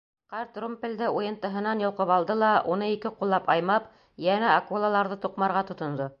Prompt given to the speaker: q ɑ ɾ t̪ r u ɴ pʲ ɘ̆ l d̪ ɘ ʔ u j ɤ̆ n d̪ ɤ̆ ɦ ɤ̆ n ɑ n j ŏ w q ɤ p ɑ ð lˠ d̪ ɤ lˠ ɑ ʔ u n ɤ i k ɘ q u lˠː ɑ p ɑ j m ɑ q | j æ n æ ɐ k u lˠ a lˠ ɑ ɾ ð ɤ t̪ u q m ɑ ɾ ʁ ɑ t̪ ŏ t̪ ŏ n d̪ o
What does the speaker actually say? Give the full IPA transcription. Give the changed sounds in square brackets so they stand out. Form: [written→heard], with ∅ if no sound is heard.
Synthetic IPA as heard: q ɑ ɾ t̪ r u [ɴ→m] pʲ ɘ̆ l d̪ ɘ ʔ u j ɤ̆ n [d̪→t̪] ɤ̆ ɦ ɤ̆ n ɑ n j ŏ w q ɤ p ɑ [ð→∅] lˠ d̪ ɤ lˠ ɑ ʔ u n ɤ i k ɘ q u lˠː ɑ p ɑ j m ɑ [q→p] | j æ n æ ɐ k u lˠ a lˠ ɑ ɾ ð ɤ t̪ u q m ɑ ɾ ʁ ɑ t̪ ŏ t̪ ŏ n d̪ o